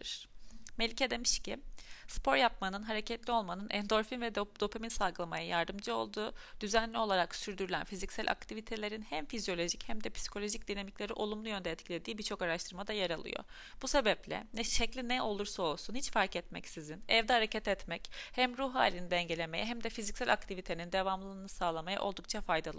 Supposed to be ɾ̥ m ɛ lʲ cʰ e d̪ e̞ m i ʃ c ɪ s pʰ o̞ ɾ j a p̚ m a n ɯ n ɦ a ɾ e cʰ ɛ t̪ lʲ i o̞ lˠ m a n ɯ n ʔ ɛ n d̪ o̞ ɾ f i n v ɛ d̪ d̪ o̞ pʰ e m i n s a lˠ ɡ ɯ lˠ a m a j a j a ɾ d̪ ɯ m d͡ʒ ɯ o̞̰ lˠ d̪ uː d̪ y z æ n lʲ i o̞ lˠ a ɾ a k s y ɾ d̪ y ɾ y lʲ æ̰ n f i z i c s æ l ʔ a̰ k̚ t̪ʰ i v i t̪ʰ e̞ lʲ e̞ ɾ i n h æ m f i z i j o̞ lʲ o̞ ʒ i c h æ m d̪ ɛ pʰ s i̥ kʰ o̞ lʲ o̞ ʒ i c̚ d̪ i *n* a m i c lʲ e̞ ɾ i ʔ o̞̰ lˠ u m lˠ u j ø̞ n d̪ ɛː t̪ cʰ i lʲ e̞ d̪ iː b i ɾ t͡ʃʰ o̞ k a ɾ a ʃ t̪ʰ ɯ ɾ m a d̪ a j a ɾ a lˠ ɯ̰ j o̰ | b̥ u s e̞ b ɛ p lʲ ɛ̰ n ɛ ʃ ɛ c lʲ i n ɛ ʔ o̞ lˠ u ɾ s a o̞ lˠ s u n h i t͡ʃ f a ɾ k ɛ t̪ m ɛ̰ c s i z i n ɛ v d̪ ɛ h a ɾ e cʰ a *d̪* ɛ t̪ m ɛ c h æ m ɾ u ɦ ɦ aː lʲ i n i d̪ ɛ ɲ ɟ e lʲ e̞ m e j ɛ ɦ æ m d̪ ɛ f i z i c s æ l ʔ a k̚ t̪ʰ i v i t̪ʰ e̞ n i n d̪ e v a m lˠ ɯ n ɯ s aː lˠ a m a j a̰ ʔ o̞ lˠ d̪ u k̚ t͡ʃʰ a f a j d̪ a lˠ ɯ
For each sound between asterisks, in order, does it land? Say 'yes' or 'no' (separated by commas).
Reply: yes, no